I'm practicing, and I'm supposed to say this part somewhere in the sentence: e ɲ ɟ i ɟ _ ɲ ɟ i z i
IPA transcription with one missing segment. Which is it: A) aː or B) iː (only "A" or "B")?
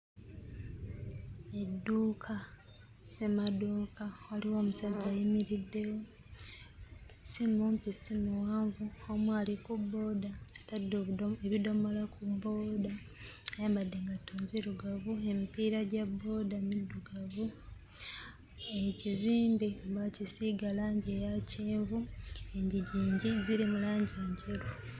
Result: B